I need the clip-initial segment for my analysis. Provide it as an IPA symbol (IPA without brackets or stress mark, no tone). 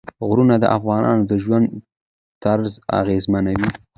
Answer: ɣ